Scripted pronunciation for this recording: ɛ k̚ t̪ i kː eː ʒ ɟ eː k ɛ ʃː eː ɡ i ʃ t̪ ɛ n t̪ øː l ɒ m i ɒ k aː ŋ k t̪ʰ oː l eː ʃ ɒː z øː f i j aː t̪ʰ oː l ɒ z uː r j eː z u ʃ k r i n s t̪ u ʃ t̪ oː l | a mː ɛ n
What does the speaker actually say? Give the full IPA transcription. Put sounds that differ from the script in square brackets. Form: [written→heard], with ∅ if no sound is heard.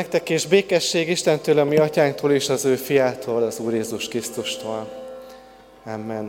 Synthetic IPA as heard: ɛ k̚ t̪ [i→ɛ] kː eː ʒ [ɟ→b] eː k ɛ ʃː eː ɡ i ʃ t̪ ɛ n t̪ øː l ɒ m i ɒ [k→c] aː ŋ k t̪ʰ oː l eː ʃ [ɒː→ɒ] z øː f i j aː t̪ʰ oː l ɒ z uː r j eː z u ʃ k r i [n→∅] s t̪ u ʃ t̪ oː l | a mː ɛ n